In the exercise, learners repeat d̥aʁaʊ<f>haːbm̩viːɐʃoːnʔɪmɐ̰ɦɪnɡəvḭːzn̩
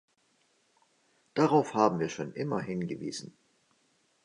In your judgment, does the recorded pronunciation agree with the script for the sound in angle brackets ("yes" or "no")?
yes